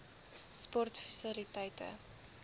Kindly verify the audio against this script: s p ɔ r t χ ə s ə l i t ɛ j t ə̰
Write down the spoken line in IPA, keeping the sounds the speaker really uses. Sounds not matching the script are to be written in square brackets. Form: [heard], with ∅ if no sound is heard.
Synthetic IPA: s p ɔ r t [f] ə s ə l i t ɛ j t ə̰